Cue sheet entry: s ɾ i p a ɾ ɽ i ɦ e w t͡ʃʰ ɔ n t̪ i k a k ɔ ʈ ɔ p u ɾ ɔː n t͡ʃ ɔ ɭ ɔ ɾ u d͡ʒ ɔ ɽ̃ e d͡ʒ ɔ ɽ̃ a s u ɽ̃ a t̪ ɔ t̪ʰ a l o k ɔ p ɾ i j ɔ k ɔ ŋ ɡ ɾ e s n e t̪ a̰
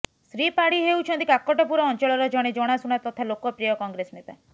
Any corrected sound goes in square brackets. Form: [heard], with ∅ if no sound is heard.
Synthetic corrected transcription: s ɾ i p a [∅] ɽ i ɦ e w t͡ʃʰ ɔ n t̪ i k a k ɔ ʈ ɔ p u ɾ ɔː n t͡ʃ ɔ ɭ ɔ ɾ [ɔ] d͡ʒ ɔ ɽ̃ e d͡ʒ ɔ ɽ̃ a s u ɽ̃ a t̪ ɔ t̪ʰ a l o k ɔ p ɾ i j ɔ k ɔ ŋ ɡ ɾ e s n e t̪ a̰